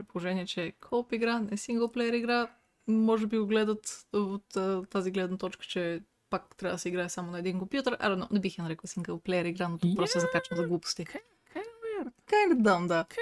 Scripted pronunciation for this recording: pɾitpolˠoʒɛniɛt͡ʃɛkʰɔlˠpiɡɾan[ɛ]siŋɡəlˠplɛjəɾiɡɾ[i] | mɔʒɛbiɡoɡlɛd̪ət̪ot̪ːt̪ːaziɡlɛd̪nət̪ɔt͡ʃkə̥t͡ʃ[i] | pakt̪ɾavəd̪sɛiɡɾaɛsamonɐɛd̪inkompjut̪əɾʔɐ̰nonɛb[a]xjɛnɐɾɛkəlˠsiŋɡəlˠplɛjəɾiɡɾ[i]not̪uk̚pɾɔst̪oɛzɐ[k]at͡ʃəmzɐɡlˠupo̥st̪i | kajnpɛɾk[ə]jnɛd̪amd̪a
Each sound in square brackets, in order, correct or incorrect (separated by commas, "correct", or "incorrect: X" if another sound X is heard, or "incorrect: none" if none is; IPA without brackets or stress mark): correct, incorrect: a, incorrect: ɛ, incorrect: i, incorrect: a, correct, incorrect: a